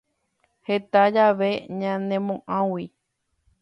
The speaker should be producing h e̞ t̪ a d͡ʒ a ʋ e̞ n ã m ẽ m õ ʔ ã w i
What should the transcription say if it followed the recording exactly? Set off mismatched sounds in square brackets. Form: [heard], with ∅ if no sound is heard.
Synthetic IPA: h e̞ t̪ a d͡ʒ a ʋ e̞ [ɲ] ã [n] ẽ m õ ʔ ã w i